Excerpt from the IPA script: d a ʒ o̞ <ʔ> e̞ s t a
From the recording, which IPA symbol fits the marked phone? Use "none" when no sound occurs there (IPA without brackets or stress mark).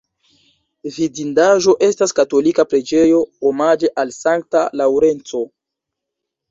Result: ʔ